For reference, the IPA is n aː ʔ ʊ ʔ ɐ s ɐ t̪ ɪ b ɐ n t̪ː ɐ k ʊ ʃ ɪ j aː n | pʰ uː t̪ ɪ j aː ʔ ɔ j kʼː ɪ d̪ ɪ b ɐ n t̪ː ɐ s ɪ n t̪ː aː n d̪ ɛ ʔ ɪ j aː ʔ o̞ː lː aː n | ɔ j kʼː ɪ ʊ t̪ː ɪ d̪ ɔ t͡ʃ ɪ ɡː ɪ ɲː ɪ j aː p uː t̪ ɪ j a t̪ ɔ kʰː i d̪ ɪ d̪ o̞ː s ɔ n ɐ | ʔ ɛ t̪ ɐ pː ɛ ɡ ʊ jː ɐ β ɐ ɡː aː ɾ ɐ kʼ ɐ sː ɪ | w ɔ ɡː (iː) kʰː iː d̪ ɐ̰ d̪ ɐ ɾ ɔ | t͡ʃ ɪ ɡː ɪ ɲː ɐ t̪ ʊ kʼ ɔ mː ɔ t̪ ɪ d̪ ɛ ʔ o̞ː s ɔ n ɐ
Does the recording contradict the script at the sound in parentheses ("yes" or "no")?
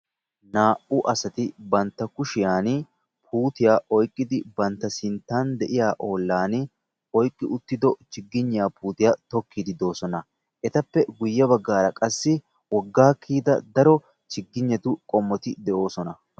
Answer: yes